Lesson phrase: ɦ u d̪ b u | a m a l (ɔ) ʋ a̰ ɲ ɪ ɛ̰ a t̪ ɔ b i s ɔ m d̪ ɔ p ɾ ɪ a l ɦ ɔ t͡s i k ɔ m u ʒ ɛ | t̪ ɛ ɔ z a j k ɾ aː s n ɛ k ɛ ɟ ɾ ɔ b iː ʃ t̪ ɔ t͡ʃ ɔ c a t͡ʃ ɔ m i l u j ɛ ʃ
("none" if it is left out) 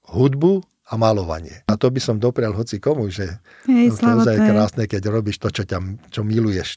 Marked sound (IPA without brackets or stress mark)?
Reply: ɔ